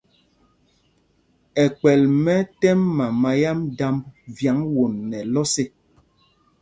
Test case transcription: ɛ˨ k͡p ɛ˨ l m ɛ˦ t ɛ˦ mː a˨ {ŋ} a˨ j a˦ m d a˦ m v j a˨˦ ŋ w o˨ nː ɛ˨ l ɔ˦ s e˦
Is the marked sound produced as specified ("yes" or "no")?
no